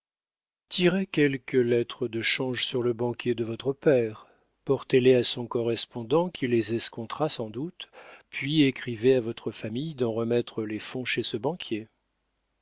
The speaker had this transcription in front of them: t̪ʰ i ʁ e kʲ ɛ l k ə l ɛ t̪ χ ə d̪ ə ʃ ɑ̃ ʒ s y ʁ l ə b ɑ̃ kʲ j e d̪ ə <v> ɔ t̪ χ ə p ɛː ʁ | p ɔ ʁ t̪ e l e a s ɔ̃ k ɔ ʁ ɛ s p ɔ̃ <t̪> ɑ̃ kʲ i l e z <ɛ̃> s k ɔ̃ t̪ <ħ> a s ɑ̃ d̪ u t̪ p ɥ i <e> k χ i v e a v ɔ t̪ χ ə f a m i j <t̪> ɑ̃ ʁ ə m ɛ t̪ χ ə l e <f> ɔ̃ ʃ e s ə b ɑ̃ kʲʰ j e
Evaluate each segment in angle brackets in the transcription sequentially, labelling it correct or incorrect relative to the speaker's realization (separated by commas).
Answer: correct, incorrect, incorrect, incorrect, correct, incorrect, correct